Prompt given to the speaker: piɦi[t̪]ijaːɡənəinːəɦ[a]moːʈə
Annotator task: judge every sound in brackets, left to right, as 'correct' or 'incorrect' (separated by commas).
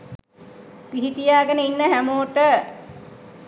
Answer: correct, incorrect